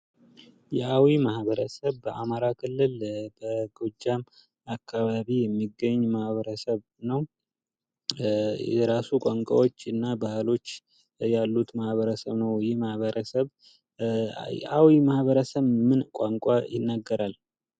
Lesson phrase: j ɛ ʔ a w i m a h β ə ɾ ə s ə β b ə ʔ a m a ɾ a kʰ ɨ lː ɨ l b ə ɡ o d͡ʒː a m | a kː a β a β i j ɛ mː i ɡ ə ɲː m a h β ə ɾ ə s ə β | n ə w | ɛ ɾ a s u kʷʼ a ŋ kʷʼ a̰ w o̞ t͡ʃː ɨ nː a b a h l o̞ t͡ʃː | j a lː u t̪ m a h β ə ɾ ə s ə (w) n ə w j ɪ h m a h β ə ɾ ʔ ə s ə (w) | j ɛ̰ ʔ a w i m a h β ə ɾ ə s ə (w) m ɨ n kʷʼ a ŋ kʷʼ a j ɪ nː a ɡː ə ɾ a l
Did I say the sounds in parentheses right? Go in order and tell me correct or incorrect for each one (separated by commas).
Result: incorrect, incorrect, incorrect